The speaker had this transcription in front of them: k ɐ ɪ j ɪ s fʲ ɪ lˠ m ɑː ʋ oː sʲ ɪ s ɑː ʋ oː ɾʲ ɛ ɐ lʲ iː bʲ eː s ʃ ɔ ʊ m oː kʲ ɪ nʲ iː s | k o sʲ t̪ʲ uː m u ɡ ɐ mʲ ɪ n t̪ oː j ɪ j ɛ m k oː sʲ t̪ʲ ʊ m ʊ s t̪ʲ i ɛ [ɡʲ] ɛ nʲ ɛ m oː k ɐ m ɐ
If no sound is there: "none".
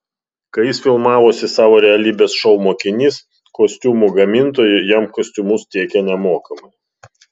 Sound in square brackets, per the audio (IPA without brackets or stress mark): kʲ